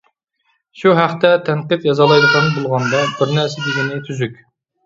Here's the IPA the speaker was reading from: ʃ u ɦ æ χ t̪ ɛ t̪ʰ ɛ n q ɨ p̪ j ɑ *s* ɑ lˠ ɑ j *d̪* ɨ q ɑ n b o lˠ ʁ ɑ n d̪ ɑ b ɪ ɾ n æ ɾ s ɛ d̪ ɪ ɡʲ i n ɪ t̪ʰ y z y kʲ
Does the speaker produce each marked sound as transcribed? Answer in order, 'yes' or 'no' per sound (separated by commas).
no, yes